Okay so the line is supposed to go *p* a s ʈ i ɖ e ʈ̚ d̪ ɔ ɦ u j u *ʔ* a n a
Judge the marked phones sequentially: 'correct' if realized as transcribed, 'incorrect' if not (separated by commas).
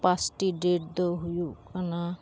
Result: correct, incorrect